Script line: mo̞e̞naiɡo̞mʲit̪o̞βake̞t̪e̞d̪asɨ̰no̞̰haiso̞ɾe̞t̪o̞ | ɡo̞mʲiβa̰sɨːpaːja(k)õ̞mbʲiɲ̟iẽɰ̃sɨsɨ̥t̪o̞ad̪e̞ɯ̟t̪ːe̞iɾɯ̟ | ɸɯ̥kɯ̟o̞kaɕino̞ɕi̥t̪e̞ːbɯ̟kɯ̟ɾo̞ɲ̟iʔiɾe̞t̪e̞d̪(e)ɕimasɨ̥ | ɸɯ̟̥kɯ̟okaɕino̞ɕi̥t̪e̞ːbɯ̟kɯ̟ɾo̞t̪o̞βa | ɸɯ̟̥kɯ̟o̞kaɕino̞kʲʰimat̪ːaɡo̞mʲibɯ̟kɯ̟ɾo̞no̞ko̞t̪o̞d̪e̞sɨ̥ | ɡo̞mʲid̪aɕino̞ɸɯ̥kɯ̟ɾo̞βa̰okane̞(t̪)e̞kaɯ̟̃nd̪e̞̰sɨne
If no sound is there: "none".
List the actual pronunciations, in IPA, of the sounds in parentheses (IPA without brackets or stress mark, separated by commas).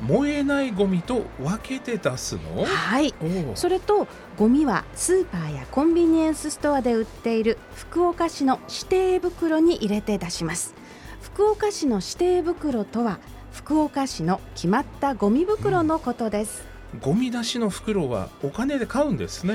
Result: k, a, d̪